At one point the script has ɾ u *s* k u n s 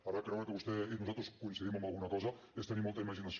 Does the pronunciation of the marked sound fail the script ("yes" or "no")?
no